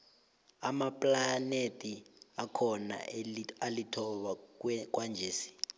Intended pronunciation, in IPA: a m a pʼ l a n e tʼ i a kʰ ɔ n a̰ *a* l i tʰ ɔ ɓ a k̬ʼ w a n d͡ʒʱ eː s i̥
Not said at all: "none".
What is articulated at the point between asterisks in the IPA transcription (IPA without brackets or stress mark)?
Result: a